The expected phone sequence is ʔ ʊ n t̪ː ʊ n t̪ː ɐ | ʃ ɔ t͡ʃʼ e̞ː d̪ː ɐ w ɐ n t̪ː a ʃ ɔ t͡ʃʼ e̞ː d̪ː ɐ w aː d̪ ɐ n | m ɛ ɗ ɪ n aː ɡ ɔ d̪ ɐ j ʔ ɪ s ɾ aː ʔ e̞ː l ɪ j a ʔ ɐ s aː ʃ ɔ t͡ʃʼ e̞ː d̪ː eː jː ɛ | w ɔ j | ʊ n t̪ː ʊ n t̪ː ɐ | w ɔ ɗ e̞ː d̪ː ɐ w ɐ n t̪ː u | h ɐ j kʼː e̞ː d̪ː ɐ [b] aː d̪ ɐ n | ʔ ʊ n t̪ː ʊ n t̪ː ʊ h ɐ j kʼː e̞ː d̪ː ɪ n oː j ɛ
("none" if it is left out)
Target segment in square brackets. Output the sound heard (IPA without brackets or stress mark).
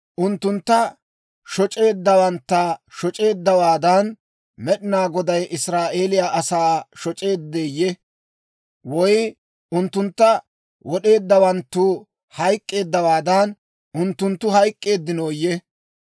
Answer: w